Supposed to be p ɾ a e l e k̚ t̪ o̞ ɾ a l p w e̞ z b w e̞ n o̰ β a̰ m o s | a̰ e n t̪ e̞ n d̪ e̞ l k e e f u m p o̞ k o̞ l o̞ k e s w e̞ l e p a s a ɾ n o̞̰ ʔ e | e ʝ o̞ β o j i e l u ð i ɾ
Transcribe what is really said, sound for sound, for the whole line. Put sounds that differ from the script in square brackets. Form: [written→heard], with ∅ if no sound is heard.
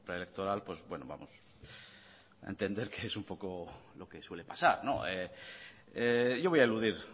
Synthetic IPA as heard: p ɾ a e l e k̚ t̪ o̞ ɾ a l p w e̞ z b w e̞ n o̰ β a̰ m o s | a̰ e n t̪ e̞ n d̪ e̞ [l→ɾ] k e e [f→s] u m p o̞ k o̞ l o̞ k e s w e̞ l e p a s a ɾ n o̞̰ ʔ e | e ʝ o̞ β o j [i→a] e l u ð i ɾ